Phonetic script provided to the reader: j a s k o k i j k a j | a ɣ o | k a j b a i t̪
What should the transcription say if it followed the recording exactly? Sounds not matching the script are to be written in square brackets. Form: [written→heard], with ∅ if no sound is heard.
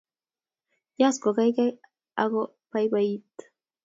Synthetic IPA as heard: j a s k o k [i→a] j k a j | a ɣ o | [k→p] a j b a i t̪